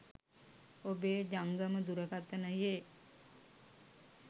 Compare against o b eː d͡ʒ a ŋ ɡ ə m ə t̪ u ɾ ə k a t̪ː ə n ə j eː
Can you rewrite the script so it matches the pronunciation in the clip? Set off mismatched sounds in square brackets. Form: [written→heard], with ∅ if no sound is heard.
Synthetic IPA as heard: o b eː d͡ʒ a ŋ ɡ ə m ə [t̪→d̪] u ɾ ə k a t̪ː ə n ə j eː

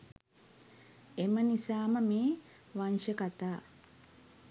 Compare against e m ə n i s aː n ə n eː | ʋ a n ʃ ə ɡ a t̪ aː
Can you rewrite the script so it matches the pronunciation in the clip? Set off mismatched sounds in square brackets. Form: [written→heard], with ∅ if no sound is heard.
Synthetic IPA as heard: e m ə n i s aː [n→m] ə [n→m] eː | ʋ a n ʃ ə [ɡ→k] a t̪ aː

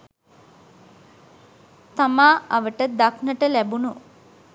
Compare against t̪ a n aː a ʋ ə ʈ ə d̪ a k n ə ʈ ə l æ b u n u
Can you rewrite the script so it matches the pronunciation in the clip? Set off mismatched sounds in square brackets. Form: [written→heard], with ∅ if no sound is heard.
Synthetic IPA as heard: t̪ a [n→m] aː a ʋ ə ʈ ə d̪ a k n ə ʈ ə l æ b u n u

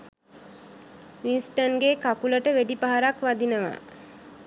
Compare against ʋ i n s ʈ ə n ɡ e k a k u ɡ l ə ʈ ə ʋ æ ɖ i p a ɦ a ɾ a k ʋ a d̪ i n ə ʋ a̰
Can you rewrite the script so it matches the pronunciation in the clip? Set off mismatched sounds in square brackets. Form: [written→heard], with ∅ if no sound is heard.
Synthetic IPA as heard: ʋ i n s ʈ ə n ɡ e k a k u [ɡ→∅] l ə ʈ ə ʋ [æ→e] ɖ i p a ɦ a ɾ a k ʋ a d̪ i n ə ʋ a̰

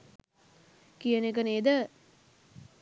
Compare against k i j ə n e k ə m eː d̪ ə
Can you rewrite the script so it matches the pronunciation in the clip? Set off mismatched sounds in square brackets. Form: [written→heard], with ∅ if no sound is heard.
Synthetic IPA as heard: k i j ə n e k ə [m→n] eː d̪ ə

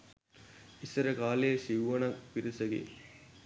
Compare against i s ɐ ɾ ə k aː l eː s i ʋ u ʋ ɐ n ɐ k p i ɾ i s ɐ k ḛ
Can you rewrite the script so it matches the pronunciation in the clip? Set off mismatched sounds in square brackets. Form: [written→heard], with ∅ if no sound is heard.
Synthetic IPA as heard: i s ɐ ɾ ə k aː l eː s i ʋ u ʋ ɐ n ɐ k p i ɾ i s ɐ [k→ɡ] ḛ

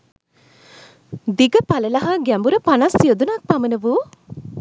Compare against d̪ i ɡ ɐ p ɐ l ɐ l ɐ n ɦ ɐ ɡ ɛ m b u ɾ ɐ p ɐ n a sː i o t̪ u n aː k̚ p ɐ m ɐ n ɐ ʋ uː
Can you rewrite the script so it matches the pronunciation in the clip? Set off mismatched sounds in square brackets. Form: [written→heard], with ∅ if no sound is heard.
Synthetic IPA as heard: d̪ i ɡ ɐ p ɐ l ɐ l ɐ [n→∅] ɦ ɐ ɡ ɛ m b u ɾ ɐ p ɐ n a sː i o [t̪→d̪] u n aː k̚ p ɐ m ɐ n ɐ ʋ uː

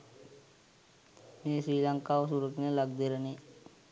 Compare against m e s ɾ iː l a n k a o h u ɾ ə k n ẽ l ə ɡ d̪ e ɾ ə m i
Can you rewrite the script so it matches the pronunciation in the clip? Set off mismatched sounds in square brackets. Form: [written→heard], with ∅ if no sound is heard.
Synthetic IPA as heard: m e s ɾ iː l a [n→ŋ] k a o [h→s] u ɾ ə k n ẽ l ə ɡ d̪ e ɾ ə [m→n] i

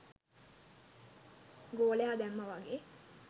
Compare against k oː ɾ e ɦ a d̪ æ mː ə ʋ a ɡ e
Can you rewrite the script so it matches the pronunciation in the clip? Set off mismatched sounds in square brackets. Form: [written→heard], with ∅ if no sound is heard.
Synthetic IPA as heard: [k→ɡ] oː [ɾ→l] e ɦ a d̪ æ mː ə ʋ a ɡ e

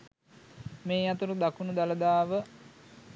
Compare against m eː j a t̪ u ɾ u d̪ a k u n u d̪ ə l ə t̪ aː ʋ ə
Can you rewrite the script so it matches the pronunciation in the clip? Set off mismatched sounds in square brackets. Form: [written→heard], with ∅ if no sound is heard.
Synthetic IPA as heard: m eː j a t̪ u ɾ u d̪ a k u n u d̪ [ə→a] l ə [t̪→d̪] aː ʋ ə

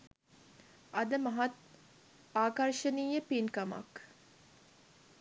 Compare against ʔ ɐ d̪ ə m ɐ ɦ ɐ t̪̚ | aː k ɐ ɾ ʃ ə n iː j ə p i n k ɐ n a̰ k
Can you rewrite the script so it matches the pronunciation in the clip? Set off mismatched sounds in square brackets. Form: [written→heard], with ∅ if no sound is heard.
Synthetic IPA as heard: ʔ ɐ d̪ ə m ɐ ɦ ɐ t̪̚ | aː k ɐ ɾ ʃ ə n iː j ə p i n k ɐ [n→m] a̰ k

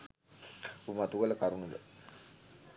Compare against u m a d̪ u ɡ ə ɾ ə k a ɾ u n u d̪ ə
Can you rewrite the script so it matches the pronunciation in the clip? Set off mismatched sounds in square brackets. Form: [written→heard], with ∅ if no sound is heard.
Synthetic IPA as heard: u m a [d̪→t̪] u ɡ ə [ɾ→l] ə k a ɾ u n u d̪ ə

